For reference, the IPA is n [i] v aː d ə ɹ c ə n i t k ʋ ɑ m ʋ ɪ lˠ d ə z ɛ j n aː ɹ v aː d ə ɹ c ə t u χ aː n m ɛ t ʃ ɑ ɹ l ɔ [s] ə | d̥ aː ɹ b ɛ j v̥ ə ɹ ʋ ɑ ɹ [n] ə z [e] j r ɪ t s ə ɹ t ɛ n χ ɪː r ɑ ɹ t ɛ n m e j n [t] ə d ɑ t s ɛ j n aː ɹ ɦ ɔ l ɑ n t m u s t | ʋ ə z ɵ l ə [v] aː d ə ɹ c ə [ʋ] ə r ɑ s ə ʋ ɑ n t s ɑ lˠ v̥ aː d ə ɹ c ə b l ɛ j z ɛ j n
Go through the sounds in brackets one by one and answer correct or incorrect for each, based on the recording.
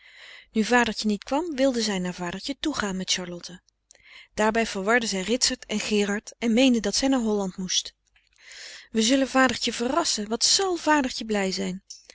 incorrect: y, incorrect: t, incorrect: d, incorrect: ɛ, incorrect: d, correct, incorrect: v

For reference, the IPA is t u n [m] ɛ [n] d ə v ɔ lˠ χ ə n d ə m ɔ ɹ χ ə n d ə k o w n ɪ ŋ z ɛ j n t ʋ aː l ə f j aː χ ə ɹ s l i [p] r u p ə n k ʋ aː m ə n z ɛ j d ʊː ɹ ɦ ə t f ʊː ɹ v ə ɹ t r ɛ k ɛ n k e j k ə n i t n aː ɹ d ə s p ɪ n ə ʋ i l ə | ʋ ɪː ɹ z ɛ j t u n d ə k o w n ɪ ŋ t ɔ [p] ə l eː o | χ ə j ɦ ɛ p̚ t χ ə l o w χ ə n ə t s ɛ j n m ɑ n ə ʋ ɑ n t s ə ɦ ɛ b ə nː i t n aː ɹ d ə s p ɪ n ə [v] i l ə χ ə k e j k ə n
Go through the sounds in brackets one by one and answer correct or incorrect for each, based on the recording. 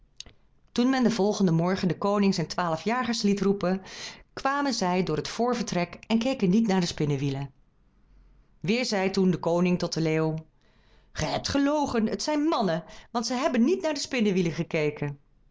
correct, correct, incorrect: t, incorrect: t, incorrect: ʋ

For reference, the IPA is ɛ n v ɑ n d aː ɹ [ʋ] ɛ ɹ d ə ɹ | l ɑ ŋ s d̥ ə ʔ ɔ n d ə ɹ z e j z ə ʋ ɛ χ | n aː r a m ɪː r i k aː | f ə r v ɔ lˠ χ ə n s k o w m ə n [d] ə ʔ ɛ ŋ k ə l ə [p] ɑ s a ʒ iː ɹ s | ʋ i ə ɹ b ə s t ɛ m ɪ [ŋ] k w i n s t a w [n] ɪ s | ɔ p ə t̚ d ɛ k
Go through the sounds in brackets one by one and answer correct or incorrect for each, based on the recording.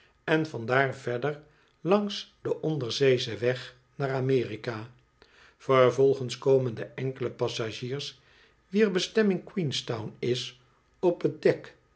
incorrect: v, correct, correct, correct, correct

